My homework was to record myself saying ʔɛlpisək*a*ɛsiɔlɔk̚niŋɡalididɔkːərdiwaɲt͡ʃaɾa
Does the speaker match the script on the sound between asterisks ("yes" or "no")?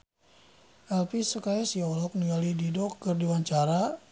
yes